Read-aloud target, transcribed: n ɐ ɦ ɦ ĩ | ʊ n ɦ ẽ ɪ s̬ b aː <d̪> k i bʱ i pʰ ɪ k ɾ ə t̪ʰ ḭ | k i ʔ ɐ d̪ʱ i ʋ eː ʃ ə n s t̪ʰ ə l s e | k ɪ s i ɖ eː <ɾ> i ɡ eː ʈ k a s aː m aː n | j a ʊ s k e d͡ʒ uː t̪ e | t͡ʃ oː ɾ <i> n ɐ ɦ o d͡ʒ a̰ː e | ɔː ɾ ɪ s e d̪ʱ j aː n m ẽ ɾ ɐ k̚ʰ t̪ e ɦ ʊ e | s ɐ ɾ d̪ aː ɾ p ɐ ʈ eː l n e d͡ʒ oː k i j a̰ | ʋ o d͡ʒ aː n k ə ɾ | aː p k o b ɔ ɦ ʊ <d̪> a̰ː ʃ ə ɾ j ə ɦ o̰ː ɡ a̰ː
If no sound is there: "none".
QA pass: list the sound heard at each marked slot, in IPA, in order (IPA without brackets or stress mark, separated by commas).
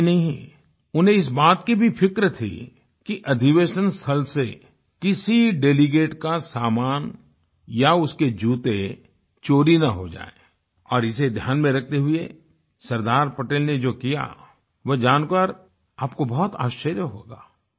t̪, l, i, t̪